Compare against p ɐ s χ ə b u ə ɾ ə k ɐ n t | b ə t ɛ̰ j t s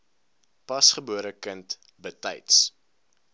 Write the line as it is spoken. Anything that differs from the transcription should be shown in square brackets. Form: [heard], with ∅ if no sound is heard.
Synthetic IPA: p ɐ s χ ə b u ə ɾ ə k [ə] n t | b ə t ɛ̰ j t s